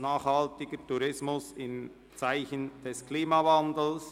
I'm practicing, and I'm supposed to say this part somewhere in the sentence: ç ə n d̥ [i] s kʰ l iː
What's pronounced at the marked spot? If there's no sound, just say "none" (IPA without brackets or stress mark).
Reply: ɛ